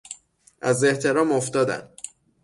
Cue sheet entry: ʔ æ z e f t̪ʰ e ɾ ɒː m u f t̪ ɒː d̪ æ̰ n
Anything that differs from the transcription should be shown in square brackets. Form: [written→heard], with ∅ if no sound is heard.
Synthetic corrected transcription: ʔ æ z e [f→h] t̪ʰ e ɾ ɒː m [u→o] f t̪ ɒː d̪ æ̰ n